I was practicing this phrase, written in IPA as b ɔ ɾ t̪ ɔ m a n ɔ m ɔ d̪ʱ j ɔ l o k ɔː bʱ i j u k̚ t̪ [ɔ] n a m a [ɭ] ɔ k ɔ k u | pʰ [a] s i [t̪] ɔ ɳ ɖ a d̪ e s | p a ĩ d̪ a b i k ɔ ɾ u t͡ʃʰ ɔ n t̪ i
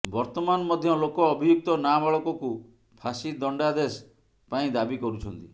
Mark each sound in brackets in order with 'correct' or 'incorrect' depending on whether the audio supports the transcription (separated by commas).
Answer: correct, correct, correct, incorrect